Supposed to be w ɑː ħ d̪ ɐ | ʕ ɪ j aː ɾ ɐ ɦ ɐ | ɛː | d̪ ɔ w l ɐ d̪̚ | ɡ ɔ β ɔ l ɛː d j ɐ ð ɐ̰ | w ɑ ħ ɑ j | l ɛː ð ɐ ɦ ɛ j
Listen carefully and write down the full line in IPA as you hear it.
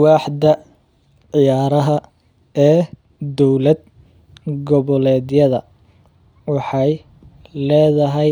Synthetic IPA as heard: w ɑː ħ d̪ ɐ | ʕ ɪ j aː ɾ ɐ ɦ ɐ | ɛː | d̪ ɔ w l ɐ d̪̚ | ɡ ɔ β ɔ l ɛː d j ɐ ð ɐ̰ | w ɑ ħ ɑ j | l ɛː ð ɐ ɦ ɛ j